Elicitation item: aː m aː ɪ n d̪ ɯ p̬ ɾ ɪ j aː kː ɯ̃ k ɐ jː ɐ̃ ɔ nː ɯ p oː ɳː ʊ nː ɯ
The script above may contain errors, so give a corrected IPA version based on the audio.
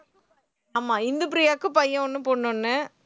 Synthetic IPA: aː m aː ɪ n d̪ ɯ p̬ ɾ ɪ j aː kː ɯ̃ p ɐ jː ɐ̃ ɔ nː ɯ p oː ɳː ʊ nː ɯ